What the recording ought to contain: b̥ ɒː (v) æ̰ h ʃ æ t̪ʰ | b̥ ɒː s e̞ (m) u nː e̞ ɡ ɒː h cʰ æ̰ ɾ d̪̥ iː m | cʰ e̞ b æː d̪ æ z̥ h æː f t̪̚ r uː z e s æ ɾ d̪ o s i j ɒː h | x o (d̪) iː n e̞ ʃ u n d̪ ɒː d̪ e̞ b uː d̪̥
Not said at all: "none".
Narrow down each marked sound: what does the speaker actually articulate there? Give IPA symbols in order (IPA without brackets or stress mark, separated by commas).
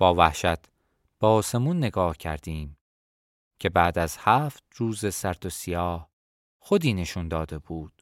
v, m, d̪